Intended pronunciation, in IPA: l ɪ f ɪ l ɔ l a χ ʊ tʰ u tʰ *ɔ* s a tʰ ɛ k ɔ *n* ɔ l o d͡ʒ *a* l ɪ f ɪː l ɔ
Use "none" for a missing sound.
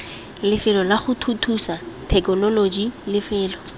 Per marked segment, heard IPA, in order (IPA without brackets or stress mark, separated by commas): u, n, i